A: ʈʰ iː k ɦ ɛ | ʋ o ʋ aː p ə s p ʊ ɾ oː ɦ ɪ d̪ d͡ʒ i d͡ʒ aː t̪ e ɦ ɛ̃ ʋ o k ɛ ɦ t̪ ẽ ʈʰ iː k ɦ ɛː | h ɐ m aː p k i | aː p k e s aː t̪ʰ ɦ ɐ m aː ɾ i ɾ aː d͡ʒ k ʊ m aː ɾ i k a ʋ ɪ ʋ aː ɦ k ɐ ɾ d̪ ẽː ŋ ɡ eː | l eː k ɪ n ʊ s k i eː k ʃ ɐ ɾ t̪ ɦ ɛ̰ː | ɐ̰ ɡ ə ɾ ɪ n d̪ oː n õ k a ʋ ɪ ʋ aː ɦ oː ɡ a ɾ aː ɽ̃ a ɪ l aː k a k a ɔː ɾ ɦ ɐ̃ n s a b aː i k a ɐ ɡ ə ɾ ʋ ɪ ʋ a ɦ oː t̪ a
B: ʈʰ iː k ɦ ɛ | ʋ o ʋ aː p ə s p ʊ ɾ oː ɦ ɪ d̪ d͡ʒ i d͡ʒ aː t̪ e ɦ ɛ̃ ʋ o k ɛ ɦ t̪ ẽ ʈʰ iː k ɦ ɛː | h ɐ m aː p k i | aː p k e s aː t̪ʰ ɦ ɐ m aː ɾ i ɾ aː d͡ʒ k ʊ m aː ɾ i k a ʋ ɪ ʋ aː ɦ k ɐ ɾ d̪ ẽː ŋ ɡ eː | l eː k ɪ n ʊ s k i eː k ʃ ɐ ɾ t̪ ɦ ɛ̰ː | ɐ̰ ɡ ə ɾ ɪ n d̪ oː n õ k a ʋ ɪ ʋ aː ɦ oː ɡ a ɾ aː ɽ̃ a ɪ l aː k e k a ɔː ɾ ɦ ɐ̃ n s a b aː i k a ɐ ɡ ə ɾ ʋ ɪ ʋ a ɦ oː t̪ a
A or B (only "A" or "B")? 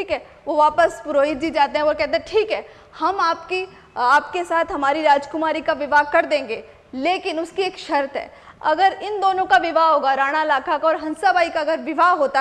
A